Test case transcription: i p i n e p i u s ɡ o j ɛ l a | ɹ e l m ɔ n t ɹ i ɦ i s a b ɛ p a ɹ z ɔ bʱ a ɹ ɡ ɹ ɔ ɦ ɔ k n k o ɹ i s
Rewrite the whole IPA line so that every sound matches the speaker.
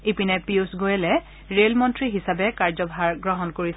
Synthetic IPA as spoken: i p i n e p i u s ɡ o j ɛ l ɛ | ɹ e l m ɔ n t ɹ i ɦ i s a b ɛ k a ɹ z ɔ bʱ a ɹ ɡ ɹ ɔ ɦ ɔ n k o ɹ i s